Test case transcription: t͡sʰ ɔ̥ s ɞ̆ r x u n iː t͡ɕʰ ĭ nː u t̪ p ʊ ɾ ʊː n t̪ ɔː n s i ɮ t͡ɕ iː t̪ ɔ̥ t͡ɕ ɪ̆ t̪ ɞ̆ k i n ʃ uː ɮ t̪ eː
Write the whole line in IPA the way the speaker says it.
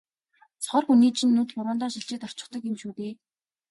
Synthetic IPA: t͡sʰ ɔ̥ χ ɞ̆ r x u n iː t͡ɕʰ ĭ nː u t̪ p ʊ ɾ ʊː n t̪ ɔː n ʃ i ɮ t͡ɕ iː t̪ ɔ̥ t͡ɕ ɪ̆ t̪ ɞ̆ k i m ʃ uː t̪ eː